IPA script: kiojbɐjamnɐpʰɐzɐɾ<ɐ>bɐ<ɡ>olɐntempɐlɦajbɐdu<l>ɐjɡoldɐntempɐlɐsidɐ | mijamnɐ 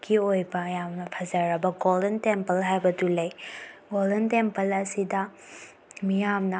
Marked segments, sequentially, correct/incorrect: correct, correct, correct

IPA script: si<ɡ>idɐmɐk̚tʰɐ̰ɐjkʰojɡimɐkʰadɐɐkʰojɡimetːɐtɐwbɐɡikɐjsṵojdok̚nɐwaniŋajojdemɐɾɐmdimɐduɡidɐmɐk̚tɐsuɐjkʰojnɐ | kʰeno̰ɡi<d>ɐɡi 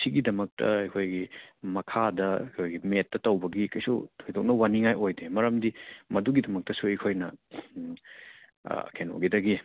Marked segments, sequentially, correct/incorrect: correct, correct

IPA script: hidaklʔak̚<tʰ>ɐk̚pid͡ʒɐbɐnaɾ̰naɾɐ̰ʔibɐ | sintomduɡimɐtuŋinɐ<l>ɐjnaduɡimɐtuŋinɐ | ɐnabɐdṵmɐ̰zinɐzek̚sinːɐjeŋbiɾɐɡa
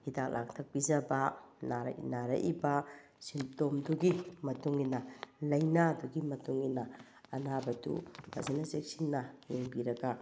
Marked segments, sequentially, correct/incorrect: correct, correct

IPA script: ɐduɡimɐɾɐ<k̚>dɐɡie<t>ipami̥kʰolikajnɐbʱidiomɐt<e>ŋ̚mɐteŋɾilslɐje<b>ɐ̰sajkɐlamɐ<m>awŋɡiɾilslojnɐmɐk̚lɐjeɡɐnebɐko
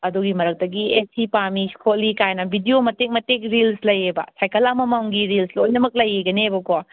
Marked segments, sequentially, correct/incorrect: correct, incorrect: s, correct, correct, correct

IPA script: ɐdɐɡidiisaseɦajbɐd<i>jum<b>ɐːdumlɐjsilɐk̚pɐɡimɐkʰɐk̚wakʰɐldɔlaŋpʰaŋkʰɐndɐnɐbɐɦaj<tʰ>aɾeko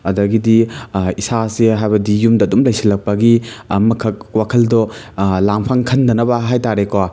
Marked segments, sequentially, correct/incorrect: correct, incorrect: d, incorrect: t

